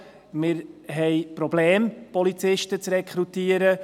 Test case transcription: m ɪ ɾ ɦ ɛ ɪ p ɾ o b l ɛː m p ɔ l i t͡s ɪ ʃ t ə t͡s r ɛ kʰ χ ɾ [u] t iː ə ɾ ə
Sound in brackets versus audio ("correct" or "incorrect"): correct